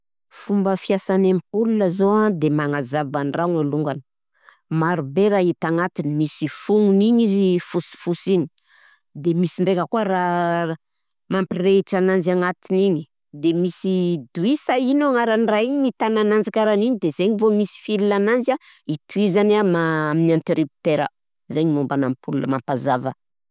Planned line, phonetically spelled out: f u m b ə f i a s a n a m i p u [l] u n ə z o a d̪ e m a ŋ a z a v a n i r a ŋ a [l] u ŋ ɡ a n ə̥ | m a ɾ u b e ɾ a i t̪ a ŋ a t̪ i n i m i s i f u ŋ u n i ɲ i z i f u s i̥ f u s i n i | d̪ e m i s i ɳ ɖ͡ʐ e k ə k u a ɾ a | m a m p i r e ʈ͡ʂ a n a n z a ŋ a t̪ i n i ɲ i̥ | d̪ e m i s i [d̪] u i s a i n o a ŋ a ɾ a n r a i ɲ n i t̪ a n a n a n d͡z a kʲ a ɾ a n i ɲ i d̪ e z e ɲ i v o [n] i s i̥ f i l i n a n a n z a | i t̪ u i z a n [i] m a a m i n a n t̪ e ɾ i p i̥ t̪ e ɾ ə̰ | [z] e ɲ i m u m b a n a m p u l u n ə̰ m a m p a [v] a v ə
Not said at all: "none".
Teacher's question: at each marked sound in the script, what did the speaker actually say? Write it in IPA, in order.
l, l, d̪, m, a, z, z

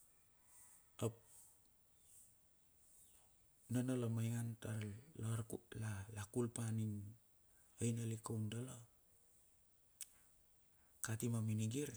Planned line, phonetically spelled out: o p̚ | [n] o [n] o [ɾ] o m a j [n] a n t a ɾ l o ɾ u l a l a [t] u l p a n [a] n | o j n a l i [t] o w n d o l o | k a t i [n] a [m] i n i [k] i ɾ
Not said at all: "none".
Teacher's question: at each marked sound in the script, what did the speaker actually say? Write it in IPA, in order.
n, n, l, ŋ, k, i, k, m, m, ɡ

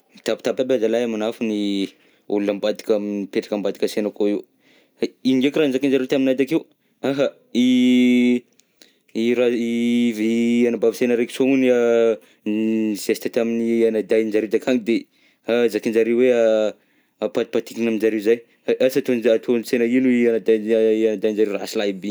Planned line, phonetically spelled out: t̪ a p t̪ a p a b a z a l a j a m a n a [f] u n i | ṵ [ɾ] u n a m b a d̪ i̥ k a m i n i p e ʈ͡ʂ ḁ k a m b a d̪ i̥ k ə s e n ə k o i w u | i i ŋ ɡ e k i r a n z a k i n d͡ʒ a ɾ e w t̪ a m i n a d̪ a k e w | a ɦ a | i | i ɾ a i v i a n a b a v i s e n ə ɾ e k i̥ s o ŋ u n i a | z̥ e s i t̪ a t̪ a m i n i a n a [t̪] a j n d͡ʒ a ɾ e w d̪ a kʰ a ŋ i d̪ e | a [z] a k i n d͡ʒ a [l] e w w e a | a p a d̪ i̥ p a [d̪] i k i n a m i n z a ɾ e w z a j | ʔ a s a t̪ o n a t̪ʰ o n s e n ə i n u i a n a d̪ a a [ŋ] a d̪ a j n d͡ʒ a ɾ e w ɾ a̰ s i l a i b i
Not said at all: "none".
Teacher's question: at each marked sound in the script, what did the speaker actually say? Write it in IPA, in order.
f, l, d̪, z, ɾ, t̪, n

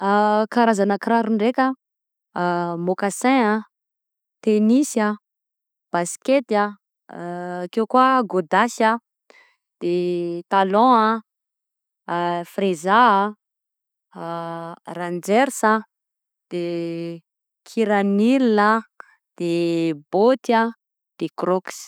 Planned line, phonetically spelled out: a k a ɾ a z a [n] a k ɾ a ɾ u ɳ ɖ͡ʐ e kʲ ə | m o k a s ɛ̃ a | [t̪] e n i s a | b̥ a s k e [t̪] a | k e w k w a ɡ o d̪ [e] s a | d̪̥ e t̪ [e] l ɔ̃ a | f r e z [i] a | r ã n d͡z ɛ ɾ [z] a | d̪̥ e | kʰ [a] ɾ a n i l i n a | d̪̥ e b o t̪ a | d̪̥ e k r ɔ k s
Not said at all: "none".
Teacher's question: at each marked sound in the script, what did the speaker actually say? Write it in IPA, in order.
n, t̪, t̪, a, a, a, s, i

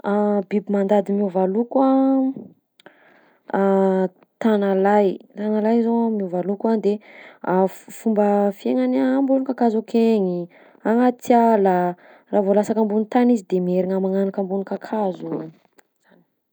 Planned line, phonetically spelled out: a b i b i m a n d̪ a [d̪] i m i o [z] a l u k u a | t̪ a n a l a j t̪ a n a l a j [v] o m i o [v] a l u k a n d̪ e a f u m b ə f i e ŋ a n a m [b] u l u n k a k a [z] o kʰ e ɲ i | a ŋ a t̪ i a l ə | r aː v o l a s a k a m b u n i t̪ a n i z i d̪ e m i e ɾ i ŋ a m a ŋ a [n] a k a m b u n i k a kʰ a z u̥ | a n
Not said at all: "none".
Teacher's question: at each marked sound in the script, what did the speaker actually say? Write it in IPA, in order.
d̪, v, z, v, b, z, n

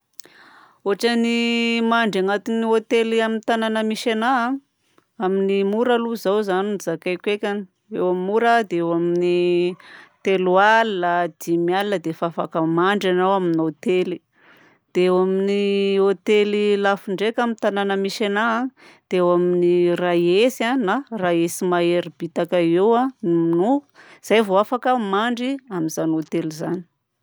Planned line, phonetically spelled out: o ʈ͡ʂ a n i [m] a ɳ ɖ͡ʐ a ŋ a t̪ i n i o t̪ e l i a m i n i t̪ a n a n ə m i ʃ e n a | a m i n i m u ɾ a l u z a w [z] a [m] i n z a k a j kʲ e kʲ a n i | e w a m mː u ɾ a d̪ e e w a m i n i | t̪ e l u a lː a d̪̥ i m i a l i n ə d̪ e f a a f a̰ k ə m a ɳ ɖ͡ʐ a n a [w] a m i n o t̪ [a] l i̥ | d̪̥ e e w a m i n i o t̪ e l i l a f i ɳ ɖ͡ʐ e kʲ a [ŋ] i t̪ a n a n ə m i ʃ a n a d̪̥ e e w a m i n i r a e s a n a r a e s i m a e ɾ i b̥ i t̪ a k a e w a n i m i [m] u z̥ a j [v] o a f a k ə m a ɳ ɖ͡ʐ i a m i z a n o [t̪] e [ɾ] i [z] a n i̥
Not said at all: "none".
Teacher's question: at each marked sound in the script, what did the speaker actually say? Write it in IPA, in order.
m, z, n, w, e, m, n, v, t̪, l, z

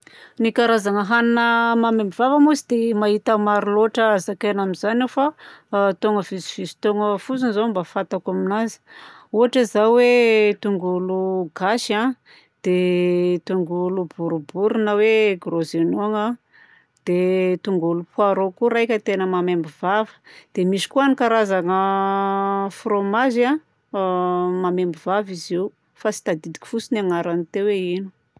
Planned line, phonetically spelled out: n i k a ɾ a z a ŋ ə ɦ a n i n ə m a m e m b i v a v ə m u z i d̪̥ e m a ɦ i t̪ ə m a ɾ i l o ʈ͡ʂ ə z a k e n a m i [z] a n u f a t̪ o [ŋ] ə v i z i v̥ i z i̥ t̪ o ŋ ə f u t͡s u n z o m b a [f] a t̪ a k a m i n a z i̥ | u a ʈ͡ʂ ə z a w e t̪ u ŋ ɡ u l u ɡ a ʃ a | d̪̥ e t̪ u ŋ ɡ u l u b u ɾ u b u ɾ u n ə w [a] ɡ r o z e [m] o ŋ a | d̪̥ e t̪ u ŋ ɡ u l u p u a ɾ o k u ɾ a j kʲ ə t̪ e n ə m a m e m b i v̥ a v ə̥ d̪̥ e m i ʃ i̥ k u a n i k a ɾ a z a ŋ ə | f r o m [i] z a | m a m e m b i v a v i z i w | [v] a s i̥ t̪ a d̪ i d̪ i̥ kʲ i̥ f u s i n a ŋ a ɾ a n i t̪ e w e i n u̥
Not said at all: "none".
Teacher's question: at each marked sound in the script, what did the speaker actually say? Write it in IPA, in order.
z, ŋ, f, e, n, a, f

